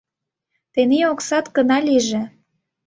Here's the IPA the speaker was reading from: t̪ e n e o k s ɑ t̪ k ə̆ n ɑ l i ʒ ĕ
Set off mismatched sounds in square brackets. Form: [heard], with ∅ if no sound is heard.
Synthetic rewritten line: t̪ e n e o k s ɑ t̪ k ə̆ n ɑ l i ʒ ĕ